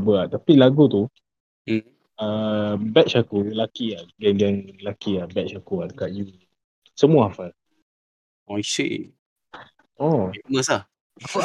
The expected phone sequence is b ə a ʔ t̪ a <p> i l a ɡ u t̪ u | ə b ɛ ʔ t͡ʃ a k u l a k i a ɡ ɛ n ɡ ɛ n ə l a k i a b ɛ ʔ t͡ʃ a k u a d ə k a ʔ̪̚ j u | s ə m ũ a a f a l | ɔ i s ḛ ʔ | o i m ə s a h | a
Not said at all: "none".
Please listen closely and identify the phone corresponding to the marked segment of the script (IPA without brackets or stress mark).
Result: p